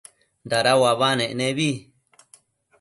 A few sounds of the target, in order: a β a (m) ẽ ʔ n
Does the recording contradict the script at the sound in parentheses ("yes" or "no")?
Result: yes